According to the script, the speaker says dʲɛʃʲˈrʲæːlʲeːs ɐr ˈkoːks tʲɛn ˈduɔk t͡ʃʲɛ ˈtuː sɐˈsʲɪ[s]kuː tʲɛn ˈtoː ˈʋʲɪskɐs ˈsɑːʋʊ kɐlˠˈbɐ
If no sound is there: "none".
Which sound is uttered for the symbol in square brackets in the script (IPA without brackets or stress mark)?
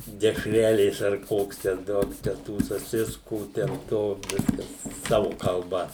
s